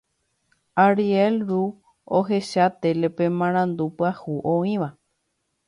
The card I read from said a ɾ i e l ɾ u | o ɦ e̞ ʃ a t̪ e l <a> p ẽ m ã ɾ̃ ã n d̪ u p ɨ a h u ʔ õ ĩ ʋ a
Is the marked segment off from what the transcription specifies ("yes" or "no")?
yes